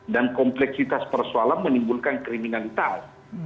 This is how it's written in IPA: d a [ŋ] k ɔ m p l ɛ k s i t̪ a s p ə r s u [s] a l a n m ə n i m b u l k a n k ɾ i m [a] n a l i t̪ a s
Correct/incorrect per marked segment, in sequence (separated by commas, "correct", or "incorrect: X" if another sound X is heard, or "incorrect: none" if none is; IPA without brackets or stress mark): incorrect: n, incorrect: none, incorrect: i